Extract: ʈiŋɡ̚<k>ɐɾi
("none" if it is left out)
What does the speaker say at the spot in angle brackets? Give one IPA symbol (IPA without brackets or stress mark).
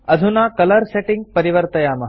p